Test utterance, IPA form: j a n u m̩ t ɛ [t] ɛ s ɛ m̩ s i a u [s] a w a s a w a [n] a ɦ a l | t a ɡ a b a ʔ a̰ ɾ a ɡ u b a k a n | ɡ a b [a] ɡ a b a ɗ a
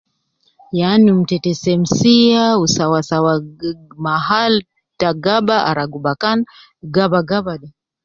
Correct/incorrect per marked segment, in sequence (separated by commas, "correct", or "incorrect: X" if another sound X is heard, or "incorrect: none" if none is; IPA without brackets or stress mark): correct, correct, incorrect: m, correct